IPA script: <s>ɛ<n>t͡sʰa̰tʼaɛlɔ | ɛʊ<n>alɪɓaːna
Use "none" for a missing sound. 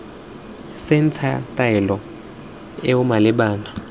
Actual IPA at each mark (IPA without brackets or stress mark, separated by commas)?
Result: s, n, m